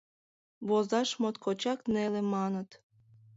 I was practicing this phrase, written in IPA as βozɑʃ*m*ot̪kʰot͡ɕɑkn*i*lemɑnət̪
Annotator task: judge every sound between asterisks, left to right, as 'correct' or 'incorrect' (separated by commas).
correct, incorrect